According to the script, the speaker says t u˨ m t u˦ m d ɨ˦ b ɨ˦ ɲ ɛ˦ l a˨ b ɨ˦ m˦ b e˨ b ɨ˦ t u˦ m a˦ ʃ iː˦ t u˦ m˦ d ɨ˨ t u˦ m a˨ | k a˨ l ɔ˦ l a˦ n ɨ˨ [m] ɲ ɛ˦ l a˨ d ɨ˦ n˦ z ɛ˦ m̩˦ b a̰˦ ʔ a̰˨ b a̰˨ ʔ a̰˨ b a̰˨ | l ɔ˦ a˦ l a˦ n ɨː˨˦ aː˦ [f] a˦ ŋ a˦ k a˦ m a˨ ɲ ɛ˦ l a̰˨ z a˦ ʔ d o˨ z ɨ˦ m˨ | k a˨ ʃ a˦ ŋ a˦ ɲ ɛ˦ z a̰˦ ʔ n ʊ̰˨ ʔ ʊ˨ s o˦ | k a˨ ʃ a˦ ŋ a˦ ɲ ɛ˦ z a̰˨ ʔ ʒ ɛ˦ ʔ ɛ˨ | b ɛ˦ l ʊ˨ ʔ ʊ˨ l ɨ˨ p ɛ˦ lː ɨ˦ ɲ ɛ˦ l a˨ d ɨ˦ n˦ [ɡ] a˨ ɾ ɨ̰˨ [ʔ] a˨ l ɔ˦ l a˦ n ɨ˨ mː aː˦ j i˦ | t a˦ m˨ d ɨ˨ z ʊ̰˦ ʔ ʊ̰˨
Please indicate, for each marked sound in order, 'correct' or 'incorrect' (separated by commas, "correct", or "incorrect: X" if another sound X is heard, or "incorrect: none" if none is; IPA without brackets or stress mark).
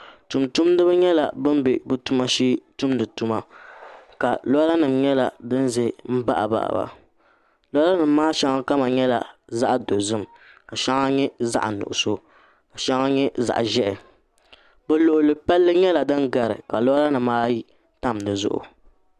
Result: correct, incorrect: ʃ, correct, incorrect: k